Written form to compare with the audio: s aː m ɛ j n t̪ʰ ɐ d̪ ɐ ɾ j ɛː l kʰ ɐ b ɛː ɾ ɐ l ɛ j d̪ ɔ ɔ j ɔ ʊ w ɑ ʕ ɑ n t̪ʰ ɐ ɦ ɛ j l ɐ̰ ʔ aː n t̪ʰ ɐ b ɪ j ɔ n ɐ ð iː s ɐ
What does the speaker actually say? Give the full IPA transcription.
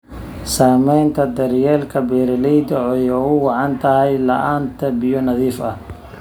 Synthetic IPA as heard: s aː m ɛ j n t̪ʰ ɐ d̪ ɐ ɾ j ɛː l kʰ ɐ b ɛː ɾ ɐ l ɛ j d̪ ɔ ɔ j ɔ ʊ w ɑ ʕ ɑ n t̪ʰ ɐ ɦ ɛ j l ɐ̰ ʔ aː n t̪ʰ ɐ b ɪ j ɔ n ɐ ð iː f ɐ

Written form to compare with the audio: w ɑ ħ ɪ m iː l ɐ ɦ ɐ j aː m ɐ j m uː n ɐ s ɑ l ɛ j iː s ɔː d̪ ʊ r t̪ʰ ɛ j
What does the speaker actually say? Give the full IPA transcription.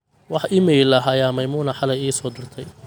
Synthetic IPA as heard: w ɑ ħ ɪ m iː l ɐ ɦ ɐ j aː m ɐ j m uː n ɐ ħ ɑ l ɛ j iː s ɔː d̪ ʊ r t̪ʰ ɛ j

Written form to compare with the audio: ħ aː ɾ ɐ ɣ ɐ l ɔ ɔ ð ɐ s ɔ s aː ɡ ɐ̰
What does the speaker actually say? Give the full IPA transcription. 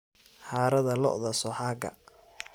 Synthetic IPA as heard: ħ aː ɾ ɐ ð ɐ l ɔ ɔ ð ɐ s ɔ ħ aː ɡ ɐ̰

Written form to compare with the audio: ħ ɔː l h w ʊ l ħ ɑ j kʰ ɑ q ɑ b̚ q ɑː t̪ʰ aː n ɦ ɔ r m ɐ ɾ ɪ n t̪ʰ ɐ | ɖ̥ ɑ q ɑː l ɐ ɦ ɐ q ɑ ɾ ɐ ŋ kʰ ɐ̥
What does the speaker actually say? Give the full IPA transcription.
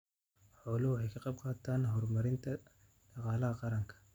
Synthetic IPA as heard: ħ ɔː l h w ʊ ħ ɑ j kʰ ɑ q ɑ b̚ q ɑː t̪ʰ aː n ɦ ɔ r m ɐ ɾ ɪ n t̪ʰ ɐ | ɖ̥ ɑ q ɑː l ɐ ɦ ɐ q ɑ ɾ ɐ ŋ kʰ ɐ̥

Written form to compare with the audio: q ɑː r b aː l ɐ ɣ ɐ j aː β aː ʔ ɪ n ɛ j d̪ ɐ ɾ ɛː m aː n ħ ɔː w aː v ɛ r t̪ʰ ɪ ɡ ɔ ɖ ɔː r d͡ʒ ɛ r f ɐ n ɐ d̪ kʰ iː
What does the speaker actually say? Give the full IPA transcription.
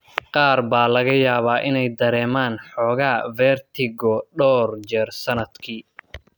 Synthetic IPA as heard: q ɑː r b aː l ɐ ɣ ɐ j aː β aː ʔ ɪ n ɛ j d̪ ɐ ɾ ɛː m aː n ħ ɔː ɣ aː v ɛ r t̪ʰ ɪ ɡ ɔ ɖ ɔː r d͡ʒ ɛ r s ɐ n ɐ d̪ kʰ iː

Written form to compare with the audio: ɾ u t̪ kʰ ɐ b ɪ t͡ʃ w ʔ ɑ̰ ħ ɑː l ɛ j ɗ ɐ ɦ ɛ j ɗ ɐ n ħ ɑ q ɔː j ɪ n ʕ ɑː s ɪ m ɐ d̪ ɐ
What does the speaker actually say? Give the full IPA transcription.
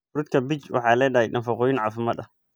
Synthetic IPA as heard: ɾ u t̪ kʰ ɐ b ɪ t͡ʃ w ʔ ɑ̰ ħ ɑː l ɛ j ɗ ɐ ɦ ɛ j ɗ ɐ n f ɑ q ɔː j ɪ n ʕ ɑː f ɪ m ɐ d̪ ɐ

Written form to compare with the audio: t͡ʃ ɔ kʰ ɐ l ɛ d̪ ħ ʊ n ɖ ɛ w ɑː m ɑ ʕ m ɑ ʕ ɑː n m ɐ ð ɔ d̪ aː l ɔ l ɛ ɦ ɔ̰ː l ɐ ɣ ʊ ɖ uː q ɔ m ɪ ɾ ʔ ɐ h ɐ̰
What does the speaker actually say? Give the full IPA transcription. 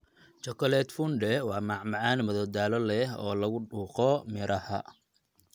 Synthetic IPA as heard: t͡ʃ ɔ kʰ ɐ l ɛ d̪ f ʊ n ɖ ɛ w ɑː m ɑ ʕ m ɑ ʕ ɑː n m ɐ ð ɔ d̪ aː l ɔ l ɛ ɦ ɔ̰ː l ɐ ɣ ʊ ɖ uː q ɔ m ɪ ɾ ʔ ɐ h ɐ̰

